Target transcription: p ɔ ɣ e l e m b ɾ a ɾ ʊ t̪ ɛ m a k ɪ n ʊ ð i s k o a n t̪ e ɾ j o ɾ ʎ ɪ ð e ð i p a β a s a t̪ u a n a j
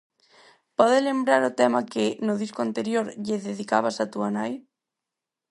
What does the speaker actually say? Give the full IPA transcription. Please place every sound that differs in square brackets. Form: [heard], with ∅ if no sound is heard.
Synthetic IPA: p ɔ [ð] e l e m b ɾ a ɾ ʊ t̪ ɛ m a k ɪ n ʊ ð i s k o a n t̪ e ɾ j o ɾ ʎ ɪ ð e ð i [k] a β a s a t̪ u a n a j